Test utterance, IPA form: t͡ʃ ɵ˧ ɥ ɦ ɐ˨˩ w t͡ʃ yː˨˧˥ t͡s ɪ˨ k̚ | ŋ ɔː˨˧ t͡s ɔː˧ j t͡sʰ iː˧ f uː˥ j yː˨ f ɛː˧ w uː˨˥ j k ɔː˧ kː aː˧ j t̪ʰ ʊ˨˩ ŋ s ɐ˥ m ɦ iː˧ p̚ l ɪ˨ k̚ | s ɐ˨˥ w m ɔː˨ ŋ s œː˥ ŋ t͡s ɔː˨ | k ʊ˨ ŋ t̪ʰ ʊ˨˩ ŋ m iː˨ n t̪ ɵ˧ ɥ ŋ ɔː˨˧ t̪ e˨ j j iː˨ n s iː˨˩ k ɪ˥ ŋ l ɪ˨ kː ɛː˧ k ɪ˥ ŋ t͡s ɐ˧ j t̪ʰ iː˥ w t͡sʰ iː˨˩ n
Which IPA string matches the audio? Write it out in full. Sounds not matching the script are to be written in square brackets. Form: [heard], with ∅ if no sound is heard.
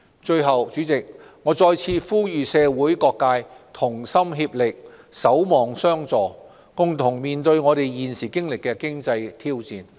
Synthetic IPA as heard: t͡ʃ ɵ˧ ɥ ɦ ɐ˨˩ w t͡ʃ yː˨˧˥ t͡s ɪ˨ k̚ | ŋ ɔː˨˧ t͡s ɔː˧ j t͡sʰ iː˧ f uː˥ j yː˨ [s] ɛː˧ w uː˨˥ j k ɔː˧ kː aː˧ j t̪ʰ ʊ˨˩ ŋ s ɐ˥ m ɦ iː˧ p̚ l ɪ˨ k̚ | s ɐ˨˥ w m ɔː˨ ŋ s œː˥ ŋ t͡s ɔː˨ | k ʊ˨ ŋ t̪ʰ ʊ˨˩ ŋ m iː˨ n t̪ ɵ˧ ɥ ŋ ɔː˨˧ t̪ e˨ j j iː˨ n s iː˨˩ k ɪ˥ ŋ l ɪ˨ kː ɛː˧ k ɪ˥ ŋ t͡s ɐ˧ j t̪ʰ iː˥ w [t͡s] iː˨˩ n